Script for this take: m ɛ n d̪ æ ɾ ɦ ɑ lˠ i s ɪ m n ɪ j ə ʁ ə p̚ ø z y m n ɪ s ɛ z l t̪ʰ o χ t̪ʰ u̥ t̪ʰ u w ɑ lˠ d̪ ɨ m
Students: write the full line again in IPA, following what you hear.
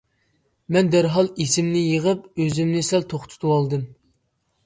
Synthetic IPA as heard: m ɛ n d̪ æ ɾ ɦ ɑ lˠ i s ɪ m n ɪ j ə ʁ ə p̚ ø z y m n ɪ s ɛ l t̪ʰ o χ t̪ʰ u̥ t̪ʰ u w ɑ lˠ d̪ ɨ m